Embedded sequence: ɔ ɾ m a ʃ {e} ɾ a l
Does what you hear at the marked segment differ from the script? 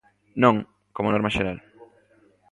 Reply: no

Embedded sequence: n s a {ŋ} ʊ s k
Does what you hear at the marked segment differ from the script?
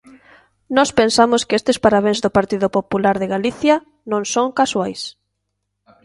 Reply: yes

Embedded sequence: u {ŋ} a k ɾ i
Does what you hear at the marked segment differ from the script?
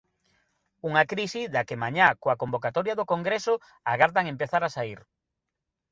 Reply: no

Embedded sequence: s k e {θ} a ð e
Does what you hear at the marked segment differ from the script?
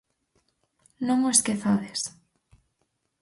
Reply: no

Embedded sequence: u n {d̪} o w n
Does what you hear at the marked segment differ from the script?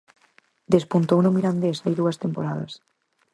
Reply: yes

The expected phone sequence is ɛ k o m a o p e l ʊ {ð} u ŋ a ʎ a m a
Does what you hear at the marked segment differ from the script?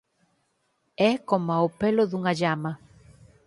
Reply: no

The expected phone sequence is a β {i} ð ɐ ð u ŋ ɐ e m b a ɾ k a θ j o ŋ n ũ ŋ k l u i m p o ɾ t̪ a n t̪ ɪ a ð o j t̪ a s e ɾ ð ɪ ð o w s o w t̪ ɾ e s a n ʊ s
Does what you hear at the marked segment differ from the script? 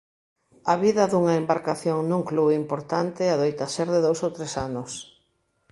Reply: no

